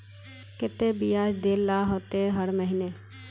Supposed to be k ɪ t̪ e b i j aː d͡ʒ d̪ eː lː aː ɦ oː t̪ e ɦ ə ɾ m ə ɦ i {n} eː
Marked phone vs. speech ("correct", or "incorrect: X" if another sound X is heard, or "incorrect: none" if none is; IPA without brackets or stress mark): correct